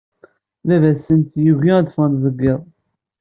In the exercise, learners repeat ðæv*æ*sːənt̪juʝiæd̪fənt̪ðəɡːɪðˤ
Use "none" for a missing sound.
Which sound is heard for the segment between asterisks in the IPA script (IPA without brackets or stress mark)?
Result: æ